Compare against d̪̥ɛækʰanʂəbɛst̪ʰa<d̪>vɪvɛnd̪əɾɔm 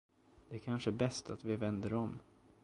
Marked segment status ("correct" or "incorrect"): incorrect